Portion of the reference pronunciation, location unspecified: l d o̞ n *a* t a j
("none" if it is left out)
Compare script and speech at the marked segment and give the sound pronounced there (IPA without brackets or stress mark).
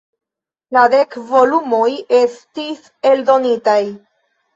i